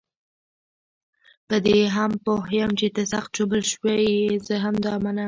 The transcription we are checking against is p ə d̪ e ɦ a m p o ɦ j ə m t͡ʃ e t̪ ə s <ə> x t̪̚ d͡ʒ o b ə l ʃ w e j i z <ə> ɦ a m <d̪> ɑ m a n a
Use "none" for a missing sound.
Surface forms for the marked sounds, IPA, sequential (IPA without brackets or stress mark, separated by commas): a, ə, d̪